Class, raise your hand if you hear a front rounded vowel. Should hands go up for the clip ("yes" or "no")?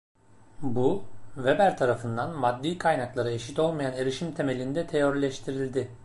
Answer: no